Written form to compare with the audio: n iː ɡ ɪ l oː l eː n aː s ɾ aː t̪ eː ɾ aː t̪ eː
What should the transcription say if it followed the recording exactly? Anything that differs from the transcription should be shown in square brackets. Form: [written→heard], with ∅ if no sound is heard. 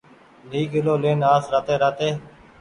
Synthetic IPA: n iː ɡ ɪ l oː l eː n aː s ɾ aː t̪ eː ɾ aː t̪ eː